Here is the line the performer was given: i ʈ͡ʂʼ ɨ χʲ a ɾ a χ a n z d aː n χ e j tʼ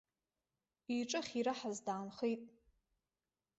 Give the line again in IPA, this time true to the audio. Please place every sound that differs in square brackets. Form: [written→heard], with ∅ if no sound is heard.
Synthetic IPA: i ʈ͡ʂʼ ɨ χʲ [a→i] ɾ a [χ→ħ] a [n→∅] z d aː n χ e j tʼ